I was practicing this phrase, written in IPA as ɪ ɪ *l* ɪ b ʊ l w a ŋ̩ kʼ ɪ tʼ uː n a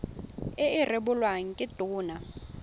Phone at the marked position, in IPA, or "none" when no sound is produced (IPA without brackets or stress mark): r